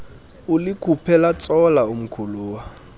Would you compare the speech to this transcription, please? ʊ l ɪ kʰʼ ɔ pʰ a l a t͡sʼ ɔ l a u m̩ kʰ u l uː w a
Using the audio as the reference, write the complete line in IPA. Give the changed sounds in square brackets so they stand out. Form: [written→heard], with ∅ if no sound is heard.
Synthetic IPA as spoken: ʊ l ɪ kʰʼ [ɔ→u] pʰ [a→ɛ] l a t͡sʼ ɔ l a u m̩ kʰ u l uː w a

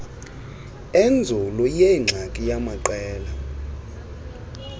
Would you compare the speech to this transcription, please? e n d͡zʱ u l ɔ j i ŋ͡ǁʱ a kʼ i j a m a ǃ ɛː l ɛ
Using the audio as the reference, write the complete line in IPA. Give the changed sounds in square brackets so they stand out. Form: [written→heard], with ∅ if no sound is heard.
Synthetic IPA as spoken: e n d͡zʱ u l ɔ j [i→e] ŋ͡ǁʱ a kʼ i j a m a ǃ ɛː l [ɛ→a]

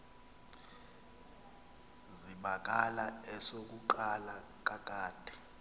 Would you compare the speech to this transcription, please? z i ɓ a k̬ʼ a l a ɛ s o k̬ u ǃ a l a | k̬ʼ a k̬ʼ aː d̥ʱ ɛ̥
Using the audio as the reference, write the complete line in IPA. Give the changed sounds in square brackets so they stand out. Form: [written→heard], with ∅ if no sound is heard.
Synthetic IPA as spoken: z i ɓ a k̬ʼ a l a ɛ s o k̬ u ǃ a l a | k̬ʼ a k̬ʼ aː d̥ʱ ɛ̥

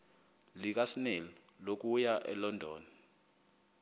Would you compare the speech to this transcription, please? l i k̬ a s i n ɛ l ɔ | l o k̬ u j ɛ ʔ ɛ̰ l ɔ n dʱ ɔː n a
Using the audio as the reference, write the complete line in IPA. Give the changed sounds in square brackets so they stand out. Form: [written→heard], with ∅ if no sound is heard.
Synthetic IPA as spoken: l i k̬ a s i n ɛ l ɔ | l o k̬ u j [ɛ→a] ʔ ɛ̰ l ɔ n dʱ ɔː n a

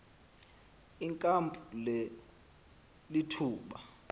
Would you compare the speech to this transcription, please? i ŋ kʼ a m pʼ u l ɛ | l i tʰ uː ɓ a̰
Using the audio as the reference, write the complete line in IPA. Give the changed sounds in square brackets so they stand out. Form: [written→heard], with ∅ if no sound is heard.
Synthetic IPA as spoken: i ŋ kʼ a m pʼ u l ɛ | l i tʰ uː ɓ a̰

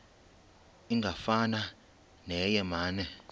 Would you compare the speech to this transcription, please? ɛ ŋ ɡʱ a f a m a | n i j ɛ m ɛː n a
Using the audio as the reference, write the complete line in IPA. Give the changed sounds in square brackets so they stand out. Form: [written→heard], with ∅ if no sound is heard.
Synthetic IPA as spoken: [ɛ→i] ŋ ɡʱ a f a [m→n] a | n [i→ɛ] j ɛ m [ɛː→aː] n [a→ɛ]

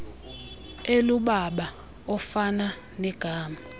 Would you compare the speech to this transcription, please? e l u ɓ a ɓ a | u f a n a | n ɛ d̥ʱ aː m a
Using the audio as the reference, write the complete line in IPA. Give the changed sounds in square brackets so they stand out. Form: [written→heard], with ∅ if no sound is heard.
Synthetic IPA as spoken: e l u ɓ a ɓ a | [u→ɔ] f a n a | n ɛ [d̥ʱ→ɡ̥ʱ] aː m a

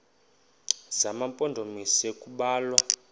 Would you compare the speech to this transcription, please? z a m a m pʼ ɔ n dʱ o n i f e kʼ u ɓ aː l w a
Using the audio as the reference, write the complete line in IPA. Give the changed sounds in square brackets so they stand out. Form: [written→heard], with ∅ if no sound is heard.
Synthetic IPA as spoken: z a m a m pʼ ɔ n dʱ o [n→m] i [f→s] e kʼ u ɓ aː l w a

